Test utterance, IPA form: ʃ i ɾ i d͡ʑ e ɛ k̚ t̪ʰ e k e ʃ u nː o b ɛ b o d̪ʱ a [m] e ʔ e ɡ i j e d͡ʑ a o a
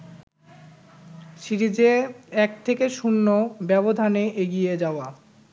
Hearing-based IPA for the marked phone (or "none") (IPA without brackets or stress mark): n